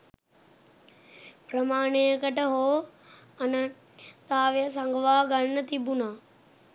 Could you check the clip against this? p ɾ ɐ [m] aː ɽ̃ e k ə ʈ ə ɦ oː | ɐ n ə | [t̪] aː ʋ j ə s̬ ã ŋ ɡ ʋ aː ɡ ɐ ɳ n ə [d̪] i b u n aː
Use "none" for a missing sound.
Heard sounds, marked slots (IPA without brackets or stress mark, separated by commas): m, t̪, t̪